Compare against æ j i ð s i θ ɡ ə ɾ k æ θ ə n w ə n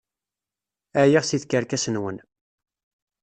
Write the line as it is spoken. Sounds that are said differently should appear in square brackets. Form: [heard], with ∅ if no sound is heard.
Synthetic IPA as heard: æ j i [ʁ] s i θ [k] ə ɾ k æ [s] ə n w ə n